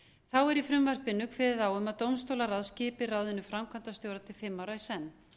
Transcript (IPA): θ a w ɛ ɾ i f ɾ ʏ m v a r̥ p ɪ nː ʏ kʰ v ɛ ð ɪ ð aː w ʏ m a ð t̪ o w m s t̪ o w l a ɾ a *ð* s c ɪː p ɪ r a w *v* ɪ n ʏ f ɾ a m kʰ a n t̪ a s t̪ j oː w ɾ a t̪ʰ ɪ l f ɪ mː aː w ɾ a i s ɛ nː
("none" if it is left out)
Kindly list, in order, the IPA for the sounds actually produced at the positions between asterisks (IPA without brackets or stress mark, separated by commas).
ð, ð